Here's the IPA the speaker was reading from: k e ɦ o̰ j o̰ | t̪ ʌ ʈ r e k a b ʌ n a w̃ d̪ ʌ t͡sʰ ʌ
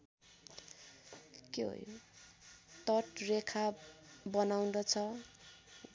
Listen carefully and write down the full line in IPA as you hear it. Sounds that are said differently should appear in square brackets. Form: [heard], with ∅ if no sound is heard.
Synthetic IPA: k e ɦ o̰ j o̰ | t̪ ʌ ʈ r e [kʰ] a b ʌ n a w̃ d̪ ʌ t͡sʰ ʌ